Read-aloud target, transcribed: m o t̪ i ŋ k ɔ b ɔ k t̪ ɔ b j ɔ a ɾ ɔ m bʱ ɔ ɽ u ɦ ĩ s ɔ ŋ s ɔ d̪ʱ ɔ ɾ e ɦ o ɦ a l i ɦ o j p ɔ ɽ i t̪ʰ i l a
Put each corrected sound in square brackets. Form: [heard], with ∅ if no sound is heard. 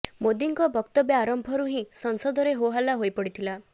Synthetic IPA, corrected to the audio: m o [d̪] i ŋ k ɔ b ɔ k t̪ ɔ b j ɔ a ɾ ɔ m bʱ ɔ [ɾ] u ɦ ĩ s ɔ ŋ s ɔ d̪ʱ ɔ ɾ e ɦ o ɦ a l [a] ɦ o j p ɔ ɽ i t̪ʰ i l a